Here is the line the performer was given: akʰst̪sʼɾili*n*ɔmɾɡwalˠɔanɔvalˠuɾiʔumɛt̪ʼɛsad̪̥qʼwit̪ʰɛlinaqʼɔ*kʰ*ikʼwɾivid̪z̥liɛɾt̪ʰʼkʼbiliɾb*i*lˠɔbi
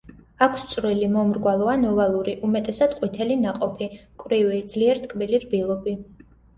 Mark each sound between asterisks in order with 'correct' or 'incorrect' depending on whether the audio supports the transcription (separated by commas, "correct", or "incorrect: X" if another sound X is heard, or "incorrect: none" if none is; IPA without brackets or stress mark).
incorrect: m, incorrect: pʰ, correct